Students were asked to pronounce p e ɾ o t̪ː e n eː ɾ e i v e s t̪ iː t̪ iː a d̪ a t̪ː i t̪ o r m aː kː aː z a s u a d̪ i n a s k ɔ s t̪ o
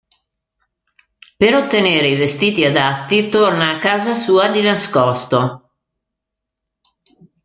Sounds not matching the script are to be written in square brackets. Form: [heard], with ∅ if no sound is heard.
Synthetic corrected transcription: p e ɾ o t̪ː e n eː ɾ e i v e s t̪ iː t̪ [i] a d̪ a t̪ː i t̪ o r [n] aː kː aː z a s [uː] a d̪ i n a s k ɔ s t̪ o